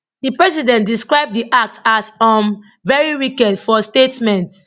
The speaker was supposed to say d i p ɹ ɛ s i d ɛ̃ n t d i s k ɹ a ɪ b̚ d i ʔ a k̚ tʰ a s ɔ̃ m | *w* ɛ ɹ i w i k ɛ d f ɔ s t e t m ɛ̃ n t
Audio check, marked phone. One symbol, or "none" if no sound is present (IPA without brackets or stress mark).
v